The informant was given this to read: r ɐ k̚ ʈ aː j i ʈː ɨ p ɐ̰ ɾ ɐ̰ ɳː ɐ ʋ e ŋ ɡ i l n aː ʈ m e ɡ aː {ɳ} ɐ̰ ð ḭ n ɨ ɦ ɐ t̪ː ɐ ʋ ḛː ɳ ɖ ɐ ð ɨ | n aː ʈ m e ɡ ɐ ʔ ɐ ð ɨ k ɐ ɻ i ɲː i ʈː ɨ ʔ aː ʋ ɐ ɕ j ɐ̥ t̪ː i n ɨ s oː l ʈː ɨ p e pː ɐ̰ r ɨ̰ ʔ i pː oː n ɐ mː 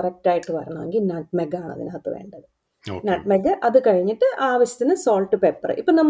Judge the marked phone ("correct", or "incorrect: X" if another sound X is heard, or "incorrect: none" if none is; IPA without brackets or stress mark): correct